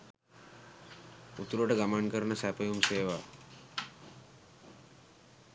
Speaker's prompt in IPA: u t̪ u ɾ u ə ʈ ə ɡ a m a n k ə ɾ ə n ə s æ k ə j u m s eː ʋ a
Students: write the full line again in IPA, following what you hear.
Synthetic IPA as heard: u t̪ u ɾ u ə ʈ ə ɡ a m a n k ə ɾ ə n ə s æ p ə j u m s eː ʋ a